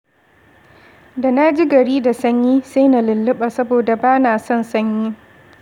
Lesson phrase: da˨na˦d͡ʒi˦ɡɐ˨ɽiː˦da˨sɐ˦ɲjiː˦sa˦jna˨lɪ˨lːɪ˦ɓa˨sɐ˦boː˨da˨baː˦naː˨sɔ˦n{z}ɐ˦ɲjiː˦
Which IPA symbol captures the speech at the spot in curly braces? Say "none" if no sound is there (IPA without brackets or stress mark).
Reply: s